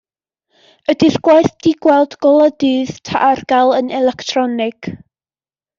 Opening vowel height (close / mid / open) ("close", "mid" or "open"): mid